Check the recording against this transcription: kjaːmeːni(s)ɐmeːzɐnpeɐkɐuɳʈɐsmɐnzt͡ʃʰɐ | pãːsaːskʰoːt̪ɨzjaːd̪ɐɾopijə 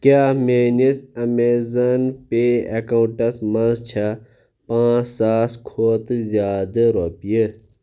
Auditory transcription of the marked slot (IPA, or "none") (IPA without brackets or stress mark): s